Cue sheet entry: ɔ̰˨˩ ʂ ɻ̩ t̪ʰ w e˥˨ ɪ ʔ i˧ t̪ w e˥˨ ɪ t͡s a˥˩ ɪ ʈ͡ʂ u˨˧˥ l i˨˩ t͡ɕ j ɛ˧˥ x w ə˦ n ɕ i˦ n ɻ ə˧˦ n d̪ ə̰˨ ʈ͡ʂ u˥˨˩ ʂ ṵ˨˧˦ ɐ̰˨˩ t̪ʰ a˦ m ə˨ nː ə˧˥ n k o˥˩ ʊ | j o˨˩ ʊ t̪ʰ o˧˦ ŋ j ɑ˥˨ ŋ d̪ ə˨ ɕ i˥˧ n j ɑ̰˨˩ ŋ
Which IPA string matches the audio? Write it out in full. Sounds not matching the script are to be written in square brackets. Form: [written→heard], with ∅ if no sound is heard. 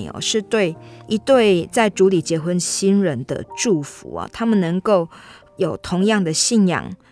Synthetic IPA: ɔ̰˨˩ ʂ ɻ̩ [t̪ʰ→t̪] w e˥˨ ɪ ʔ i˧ t̪ w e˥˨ ɪ t͡s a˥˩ ɪ ʈ͡ʂ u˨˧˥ l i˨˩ t͡ɕ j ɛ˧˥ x w ə˦ n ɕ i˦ n ɻ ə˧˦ n d̪ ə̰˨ ʈ͡ʂ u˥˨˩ [ʂ→f] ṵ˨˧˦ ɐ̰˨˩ t̪ʰ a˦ m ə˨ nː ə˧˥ [n→ŋ] k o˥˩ ʊ | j o˨˩ ʊ t̪ʰ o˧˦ ŋ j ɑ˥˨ ŋ d̪ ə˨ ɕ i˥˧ n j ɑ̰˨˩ ŋ